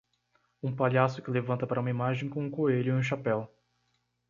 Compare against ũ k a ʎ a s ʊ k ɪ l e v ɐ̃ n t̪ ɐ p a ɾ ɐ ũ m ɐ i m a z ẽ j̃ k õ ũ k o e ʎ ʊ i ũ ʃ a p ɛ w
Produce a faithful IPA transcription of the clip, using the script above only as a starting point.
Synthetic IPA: ũ p a ʎ a s ʊ k ɪ l e v ɐ̃ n t̪ ɐ p a ɾ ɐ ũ m ɐ i m a ʒ ẽ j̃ k õ ũ k o e ʎ ʊ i ũ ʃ a p ɛ w